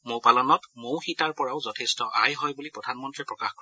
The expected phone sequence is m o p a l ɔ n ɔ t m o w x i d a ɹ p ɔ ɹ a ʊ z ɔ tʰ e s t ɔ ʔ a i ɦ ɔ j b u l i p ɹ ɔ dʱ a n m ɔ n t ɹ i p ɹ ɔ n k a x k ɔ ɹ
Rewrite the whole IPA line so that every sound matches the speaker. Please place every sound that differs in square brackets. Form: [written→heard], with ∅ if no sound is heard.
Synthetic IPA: m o p a l ɔ n ɔ t m o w x i [d→t] a ɹ p ɔ ɹ a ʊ z ɔ tʰ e s t ɔ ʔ a [i→j] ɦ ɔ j b u l i p ɹ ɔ dʱ a n m ɔ n t ɹ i p ɹ ɔ [n→∅] k a x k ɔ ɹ